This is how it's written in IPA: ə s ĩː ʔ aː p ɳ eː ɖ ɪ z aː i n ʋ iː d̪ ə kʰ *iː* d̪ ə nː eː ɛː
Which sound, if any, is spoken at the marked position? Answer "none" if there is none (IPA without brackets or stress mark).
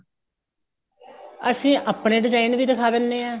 aː